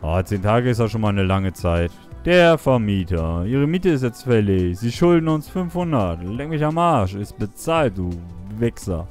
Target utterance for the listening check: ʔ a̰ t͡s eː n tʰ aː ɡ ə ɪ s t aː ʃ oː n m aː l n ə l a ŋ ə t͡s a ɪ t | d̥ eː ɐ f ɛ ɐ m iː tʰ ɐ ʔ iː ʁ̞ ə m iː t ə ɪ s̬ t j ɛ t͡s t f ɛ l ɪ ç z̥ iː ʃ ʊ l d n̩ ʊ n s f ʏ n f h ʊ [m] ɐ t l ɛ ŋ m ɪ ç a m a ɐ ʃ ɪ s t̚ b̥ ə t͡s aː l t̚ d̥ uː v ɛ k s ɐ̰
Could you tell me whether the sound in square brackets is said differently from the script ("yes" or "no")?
yes